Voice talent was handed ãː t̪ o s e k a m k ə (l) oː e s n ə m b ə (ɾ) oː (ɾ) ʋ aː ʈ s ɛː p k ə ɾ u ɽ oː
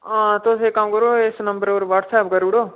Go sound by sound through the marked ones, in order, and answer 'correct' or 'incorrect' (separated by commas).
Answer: incorrect, correct, correct